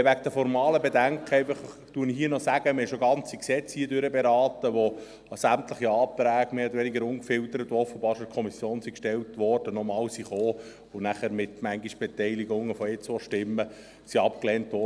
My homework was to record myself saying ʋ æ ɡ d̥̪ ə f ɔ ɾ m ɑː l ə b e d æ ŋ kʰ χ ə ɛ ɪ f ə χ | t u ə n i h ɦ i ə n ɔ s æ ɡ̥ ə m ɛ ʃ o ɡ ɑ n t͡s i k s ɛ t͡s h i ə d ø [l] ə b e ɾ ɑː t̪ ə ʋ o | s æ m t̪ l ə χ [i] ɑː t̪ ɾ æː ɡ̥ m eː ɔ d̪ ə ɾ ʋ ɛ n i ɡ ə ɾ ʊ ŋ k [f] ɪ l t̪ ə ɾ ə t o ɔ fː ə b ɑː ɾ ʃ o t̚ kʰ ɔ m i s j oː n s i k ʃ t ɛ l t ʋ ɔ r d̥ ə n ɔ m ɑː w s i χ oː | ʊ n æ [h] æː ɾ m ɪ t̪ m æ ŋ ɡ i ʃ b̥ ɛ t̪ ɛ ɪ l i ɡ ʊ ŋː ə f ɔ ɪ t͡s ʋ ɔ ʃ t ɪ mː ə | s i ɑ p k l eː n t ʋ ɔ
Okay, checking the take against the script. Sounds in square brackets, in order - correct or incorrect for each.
incorrect, correct, correct, incorrect

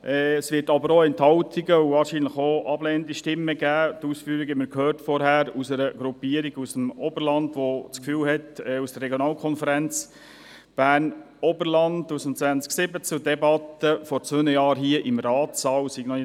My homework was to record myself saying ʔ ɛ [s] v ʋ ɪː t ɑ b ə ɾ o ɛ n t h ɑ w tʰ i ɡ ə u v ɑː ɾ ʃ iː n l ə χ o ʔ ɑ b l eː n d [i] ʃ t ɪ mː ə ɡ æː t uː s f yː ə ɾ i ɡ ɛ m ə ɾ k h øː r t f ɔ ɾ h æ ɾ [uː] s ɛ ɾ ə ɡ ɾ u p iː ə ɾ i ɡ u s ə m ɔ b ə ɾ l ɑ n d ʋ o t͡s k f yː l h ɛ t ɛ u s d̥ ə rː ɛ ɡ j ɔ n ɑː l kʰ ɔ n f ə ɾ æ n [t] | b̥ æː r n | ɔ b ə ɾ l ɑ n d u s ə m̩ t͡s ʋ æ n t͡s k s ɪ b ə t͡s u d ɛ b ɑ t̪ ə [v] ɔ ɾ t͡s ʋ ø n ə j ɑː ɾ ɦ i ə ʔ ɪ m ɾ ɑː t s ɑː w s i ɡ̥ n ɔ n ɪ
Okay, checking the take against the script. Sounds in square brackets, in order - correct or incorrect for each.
correct, correct, incorrect, incorrect, incorrect

